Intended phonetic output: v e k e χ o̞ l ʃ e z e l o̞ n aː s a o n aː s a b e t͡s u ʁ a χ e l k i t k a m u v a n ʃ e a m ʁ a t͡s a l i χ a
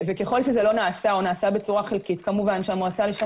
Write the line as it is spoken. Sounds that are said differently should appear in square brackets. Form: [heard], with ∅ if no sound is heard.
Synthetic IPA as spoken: v e k e χ o̞ l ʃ e z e l o̞ n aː s a o n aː s a b e t͡s u ʁ a χ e l k i t k a m u v a n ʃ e a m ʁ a t͡s a l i [ʃ] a